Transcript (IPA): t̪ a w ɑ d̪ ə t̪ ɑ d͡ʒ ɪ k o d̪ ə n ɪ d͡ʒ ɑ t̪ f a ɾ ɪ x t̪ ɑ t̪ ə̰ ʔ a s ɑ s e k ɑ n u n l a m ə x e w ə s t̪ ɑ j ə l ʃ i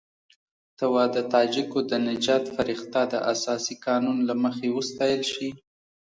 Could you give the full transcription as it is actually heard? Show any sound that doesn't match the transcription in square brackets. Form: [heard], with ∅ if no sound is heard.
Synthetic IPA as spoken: t̪ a w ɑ d̪ ə t̪ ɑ d͡ʒ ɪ k o d̪ ə n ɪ d͡ʒ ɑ t̪ f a ɾ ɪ x t̪ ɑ [d̪] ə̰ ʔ a s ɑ s [i] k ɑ n u n l a m ə x e w ə s t̪ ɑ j ə l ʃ i